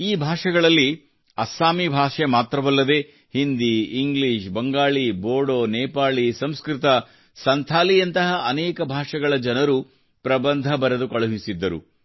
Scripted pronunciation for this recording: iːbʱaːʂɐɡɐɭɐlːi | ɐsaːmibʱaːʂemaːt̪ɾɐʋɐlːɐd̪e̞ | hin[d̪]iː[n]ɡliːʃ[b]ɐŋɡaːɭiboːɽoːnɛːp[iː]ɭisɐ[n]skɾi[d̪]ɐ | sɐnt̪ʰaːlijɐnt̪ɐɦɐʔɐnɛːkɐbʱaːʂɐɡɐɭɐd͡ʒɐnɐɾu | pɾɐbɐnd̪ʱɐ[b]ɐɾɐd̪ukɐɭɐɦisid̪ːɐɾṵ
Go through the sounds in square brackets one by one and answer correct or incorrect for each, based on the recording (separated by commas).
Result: correct, incorrect, correct, incorrect, incorrect, incorrect, correct